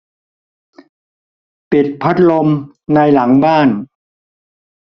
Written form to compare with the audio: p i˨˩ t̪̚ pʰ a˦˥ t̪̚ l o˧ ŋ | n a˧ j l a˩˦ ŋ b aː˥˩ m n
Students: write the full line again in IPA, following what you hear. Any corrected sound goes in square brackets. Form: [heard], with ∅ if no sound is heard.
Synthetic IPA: p i˨˩ t̪̚ pʰ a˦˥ t̪̚ l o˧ [m] | n a˧ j l a˩˦ ŋ b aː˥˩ [∅] n